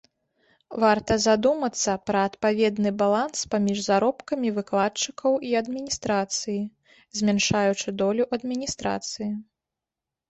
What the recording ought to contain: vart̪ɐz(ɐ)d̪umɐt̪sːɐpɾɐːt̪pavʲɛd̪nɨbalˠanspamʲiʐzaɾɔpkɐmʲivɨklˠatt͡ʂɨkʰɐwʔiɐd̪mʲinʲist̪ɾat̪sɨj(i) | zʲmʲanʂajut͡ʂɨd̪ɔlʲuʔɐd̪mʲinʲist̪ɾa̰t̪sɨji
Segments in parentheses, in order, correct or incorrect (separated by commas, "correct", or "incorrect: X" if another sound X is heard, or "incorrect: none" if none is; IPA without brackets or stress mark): incorrect: a, correct